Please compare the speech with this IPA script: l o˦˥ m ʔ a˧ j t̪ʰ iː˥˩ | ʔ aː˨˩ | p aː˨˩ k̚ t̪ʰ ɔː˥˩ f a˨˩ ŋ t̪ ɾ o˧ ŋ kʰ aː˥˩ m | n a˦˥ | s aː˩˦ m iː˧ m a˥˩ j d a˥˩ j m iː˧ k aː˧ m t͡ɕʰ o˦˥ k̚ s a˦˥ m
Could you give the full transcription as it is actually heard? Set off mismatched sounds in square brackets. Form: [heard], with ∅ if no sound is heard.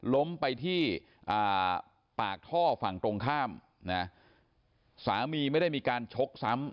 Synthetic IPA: l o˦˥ m [p] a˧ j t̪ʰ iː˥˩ | ʔ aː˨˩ | p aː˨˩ k̚ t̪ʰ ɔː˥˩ f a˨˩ ŋ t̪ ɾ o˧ ŋ kʰ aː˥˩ m | n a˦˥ | s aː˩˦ m iː˧ m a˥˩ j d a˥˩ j m iː˧ k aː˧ [n] t͡ɕʰ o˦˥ k̚ s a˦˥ m